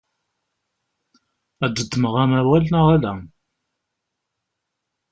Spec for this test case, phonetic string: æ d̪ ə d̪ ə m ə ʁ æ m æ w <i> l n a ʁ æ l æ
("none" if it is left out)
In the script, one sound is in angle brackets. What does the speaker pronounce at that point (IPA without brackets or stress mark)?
æ